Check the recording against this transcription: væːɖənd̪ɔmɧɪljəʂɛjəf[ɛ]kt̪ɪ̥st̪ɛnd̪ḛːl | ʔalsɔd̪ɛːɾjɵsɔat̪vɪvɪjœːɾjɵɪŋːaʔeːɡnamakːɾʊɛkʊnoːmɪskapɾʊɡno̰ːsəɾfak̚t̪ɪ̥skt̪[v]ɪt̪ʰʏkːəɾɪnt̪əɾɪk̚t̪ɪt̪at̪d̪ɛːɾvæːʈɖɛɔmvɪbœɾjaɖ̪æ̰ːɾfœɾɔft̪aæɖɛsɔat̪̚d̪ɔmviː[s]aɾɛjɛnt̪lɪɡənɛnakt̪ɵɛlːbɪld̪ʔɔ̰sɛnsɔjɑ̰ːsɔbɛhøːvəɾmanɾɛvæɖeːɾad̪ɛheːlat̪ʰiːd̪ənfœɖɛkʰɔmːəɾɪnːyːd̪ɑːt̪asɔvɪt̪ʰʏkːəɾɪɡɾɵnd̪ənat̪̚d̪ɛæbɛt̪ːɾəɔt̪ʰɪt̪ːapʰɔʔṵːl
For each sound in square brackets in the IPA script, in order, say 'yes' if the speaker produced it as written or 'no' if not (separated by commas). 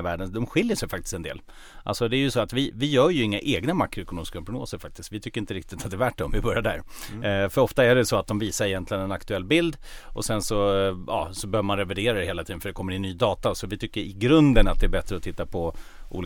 no, yes, yes